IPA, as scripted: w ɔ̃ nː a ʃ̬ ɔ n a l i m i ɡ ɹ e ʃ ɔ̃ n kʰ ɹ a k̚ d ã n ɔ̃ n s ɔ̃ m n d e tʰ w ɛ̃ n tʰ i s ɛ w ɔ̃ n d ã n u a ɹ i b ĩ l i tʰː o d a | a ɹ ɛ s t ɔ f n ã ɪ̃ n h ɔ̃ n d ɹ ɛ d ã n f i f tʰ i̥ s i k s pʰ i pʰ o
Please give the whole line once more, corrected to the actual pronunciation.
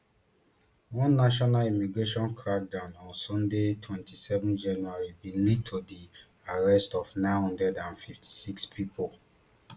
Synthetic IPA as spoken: w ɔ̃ nː a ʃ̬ ɔ n a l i m i ɡ ɹ e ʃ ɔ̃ n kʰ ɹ a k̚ d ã n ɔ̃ n s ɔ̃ n d e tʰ w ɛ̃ n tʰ i s ɛ v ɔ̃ n d͡ʒ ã n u a ɹ i b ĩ l i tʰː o d i | a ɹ ɛ s t ɔ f n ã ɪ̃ n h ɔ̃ n d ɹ ɛ d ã n f i f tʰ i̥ s i k s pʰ i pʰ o